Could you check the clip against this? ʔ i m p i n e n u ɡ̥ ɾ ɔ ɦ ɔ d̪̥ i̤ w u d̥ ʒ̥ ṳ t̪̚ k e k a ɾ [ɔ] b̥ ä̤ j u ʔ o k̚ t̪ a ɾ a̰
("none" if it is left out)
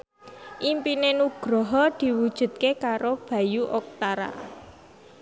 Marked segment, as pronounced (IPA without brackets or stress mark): o